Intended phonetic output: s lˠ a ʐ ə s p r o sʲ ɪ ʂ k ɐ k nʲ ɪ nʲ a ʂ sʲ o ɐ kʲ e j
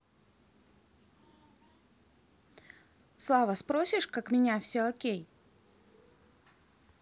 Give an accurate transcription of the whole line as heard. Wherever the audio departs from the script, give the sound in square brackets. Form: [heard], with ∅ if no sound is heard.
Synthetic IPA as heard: s lˠ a [v] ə s p [ɾ] o sʲ ɪ ʂ k [a] k [mʲ] ɪ nʲ a [f] sʲ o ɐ kʲ e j